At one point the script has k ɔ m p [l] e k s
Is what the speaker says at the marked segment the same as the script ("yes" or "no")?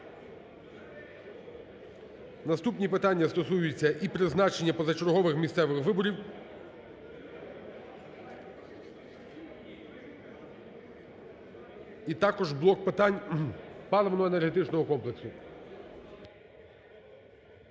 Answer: yes